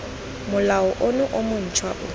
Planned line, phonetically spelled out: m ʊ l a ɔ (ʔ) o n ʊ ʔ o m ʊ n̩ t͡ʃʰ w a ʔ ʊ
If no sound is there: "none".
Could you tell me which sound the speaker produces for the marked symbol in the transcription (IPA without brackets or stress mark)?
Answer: ʔ